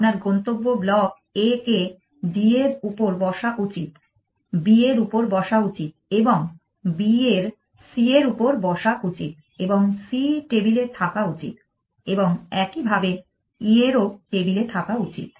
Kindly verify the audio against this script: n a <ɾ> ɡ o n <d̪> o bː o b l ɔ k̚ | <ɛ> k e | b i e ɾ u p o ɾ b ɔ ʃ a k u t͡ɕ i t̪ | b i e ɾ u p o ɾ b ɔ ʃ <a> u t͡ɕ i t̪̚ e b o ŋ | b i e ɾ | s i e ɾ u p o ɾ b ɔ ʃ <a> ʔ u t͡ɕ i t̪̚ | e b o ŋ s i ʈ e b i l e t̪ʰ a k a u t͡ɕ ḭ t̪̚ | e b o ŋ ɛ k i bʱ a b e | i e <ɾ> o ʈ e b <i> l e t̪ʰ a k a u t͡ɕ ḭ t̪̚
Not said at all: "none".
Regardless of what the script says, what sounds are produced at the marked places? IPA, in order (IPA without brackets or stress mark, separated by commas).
ɾ, t̪, e, a, a, ɾ, i